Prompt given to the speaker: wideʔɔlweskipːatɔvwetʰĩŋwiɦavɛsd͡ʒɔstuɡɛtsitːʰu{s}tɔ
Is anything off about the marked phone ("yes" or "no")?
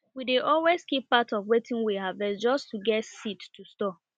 no